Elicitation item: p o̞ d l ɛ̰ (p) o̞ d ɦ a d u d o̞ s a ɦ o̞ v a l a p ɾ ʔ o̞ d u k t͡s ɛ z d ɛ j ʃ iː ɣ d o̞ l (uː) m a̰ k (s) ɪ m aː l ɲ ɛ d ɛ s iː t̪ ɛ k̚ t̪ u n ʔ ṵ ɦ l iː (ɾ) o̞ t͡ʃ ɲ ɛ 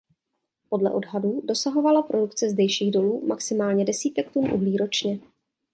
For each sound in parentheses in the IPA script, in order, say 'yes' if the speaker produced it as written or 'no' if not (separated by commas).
no, yes, yes, yes